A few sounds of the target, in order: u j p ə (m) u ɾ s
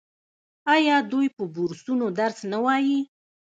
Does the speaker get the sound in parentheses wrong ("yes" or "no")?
yes